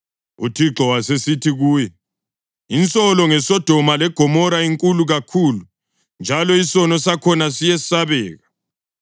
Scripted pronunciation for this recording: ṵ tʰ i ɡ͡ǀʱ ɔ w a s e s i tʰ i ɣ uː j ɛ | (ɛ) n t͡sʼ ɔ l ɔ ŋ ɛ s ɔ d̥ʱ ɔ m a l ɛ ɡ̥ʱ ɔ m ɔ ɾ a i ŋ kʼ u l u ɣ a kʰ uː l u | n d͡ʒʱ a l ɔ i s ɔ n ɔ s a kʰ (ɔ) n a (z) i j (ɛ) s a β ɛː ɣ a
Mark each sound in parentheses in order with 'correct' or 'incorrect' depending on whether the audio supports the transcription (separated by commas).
incorrect, correct, incorrect, correct